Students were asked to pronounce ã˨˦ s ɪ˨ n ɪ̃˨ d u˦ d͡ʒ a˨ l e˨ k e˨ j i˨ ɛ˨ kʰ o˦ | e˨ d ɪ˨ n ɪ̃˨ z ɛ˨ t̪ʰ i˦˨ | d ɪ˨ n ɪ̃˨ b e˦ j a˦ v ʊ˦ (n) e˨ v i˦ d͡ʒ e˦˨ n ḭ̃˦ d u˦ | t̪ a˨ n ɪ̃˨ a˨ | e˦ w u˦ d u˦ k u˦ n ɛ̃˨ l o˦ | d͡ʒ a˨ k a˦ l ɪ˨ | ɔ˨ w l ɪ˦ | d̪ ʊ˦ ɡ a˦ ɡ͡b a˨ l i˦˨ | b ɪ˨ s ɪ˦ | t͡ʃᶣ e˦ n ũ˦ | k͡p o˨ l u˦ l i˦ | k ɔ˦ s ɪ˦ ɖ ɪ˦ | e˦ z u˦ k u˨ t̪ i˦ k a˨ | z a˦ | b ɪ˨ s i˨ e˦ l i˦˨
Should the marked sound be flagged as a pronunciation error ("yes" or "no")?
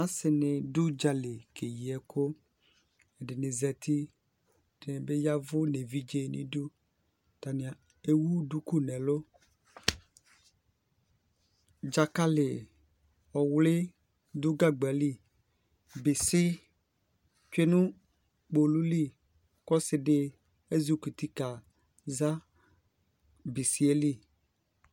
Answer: no